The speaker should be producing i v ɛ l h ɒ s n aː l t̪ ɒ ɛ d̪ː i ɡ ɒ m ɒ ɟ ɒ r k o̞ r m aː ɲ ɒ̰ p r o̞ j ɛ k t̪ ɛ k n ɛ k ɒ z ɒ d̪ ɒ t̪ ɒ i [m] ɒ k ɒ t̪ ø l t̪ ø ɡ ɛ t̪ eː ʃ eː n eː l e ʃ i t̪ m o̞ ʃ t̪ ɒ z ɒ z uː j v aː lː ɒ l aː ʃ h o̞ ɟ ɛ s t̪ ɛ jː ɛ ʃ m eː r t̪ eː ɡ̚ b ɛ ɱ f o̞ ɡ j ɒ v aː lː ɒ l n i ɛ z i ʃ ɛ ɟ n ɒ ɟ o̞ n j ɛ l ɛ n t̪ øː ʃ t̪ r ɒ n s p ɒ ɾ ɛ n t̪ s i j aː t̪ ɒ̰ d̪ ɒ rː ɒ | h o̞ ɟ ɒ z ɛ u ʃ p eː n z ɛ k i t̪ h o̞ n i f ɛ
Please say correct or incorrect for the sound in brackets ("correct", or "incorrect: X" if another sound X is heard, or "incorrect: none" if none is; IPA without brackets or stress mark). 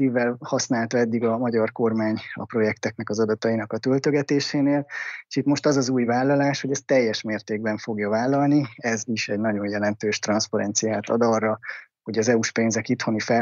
incorrect: n